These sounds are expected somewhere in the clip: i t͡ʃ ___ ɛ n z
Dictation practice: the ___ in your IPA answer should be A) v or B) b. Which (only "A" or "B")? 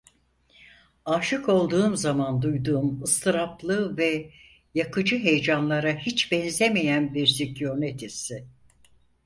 B